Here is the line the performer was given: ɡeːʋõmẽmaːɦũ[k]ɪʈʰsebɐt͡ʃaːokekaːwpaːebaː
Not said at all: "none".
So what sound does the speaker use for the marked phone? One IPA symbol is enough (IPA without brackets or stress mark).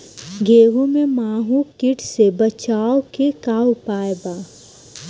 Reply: k